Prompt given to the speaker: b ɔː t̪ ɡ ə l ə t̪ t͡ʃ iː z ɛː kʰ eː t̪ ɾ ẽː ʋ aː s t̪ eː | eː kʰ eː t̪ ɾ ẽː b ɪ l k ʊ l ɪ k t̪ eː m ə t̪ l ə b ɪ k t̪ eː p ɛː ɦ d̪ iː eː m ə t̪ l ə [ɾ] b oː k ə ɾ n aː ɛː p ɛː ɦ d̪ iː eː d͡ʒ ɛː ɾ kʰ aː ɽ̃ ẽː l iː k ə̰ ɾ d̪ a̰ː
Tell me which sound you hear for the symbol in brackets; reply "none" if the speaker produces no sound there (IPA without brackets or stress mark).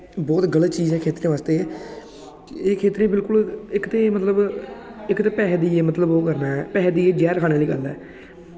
none